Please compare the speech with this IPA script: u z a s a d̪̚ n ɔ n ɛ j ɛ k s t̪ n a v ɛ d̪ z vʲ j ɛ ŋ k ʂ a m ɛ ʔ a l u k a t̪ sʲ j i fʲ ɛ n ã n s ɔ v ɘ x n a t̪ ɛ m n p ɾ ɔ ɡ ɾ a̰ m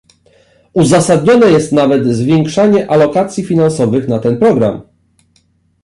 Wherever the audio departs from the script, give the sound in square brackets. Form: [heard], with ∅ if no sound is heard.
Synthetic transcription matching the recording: u z a s a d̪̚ [ɲ] ɔ n ɛ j ɛ [∅] s t̪ n a v ɛ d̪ z vʲ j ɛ ŋ k ʂ a [ɲ] ɛ ʔ a l [ɔ] k a t̪ sʲ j i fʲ [i] n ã n s ɔ v ɘ x n a t̪ ɛ [∅] n p ɾ ɔ ɡ ɾ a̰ m